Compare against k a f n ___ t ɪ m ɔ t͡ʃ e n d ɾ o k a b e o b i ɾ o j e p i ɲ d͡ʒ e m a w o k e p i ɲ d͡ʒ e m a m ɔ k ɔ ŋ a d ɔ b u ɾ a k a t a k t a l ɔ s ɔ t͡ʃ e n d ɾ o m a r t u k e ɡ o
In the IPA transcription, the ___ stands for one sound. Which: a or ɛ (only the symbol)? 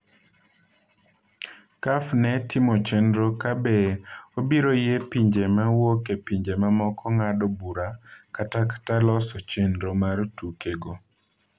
ɛ